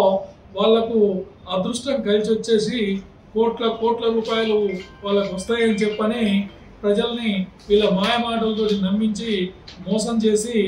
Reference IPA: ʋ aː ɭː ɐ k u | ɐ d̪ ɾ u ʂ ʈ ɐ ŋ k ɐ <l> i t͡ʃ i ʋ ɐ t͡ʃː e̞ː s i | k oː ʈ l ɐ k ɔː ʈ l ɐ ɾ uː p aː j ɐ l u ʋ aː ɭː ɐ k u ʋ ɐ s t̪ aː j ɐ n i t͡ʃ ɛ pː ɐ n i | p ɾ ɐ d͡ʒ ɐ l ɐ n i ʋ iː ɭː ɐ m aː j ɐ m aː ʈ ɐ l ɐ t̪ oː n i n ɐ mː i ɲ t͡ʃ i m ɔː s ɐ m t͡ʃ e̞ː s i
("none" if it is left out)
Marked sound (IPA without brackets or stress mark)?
l